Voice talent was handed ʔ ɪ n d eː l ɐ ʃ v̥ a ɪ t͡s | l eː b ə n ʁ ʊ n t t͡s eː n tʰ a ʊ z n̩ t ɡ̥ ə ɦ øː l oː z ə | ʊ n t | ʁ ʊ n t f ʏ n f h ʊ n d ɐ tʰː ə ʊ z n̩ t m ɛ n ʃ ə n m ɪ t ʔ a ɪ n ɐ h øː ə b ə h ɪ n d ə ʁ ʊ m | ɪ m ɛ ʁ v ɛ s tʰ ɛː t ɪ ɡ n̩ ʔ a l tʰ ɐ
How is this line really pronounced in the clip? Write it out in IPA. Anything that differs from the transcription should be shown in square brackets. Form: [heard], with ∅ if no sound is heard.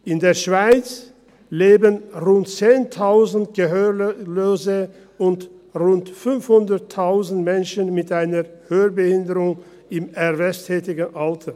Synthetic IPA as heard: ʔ ɪ n d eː [∅] ɐ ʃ v̥ a ɪ t͡s | l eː b ə n ʁ ʊ n t t͡s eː n tʰ a ʊ z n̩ t ɡ̥ ə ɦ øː l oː z ə | ʊ n t | ʁ ʊ n t f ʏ n f h ʊ n d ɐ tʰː [a] ʊ z n̩ t m ɛ n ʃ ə n m ɪ t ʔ a ɪ n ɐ h øː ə b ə h ɪ n d ə ʁ ʊ [ŋ] | ɪ m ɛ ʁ v ɛ s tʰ ɛː t ɪ ɡ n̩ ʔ a l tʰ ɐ

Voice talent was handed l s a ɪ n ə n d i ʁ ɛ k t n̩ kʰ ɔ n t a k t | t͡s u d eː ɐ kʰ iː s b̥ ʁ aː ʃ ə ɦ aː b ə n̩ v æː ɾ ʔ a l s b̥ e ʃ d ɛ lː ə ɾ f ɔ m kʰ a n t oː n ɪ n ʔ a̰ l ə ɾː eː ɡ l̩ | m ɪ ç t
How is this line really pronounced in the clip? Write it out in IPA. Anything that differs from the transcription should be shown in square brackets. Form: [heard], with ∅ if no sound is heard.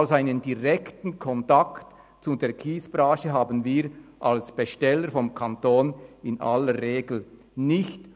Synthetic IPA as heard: l s a ɪ n ə n d i ʁ ɛ k t n̩ kʰ ɔ n t a k t | t͡s u d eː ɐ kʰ iː s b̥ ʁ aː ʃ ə ɦ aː b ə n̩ v [iː] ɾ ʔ a l s b̥ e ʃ [t] ɛ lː ə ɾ f ɔ m kʰ a n t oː n ɪ n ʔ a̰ l ə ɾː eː ɡ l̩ | [n] ɪ ç t

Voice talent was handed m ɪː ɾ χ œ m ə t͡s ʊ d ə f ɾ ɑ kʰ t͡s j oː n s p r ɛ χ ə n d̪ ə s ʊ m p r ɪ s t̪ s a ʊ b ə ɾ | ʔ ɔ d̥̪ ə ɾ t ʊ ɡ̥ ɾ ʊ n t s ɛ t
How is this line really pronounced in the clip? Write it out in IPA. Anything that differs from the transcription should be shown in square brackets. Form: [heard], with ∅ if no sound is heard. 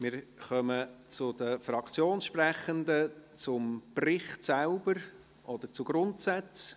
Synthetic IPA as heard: m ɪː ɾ χ œ m ə t͡s ʊ d ə f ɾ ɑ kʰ t͡s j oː n [ʃ] p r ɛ χ ə n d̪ ə [t͡s] ʊ m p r ɪ [χ] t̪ s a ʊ b ə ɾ | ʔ ɔ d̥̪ ə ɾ [t͡s] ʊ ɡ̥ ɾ ʊ n t s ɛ [t͡s]

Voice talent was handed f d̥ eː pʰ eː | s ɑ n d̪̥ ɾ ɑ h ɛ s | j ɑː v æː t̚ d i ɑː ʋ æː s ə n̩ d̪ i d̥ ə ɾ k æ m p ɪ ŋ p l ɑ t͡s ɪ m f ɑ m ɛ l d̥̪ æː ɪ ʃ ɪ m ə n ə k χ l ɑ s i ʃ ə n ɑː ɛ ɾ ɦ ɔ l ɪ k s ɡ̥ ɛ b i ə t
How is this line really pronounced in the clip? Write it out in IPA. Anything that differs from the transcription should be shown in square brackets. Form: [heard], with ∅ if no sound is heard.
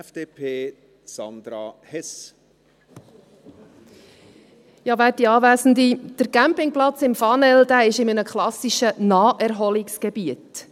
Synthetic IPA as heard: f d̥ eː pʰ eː | s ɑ n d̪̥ ɾ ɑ h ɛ s | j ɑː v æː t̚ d i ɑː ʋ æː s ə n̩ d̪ i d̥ ə ɾ k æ m p ɪ ŋ p l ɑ t͡s ɪ m f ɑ [n] ɛ l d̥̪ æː ɪ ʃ ɪ m ə n ə k χ l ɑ s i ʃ ə n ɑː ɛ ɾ ɦ ɔ l ɪ k s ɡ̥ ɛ b i ə t

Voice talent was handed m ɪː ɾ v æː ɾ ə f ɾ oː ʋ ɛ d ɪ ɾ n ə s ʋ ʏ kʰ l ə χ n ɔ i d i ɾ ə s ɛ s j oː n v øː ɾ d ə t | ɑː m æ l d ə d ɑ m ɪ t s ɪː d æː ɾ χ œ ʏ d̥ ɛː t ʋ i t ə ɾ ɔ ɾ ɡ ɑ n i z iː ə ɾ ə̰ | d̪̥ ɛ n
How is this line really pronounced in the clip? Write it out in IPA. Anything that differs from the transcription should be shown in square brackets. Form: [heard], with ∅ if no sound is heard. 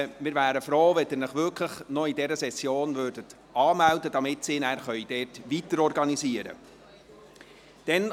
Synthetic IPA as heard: m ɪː ɾ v æː ɾ ə f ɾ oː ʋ ɛ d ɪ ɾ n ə [χ] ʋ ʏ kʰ l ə χ n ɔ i d [ɛ] ɾ ə s ɛ s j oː n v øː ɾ d ə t | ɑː m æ l d ə d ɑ m ɪ t s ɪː [n] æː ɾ χ œ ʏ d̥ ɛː t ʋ i t ə ɾ ɔ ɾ ɡ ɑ n i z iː ə ɾ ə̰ | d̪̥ ɛ n

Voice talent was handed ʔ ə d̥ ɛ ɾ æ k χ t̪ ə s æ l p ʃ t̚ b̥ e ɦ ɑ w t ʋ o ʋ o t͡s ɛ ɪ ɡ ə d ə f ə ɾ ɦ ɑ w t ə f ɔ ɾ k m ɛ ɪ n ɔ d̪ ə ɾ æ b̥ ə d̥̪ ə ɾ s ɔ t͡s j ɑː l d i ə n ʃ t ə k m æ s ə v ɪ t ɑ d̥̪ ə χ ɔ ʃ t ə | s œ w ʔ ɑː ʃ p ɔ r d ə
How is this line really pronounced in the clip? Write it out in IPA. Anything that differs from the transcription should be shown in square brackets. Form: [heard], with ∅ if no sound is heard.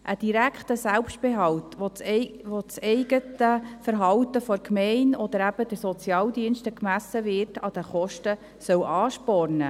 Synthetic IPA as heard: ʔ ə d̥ [i] ɾ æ k χ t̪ ə s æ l p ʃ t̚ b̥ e ɦ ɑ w t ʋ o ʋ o t͡s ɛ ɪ ɡ ə [t] ə f ə ɾ ɦ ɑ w t ə f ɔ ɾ k m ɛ ɪ n ɔ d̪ ə ɾ æ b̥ ə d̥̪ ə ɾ s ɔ t͡s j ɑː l d i ə n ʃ t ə k m æ s ə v ɪ t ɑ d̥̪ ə χ ɔ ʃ t ə | s œ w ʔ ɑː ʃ p ɔ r [n] ə

